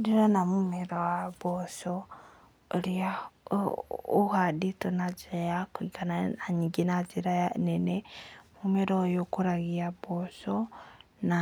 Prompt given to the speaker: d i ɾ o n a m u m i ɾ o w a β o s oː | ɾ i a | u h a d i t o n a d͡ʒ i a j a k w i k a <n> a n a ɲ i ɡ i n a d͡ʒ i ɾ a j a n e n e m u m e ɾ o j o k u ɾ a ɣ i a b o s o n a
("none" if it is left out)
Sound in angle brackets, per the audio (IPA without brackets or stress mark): n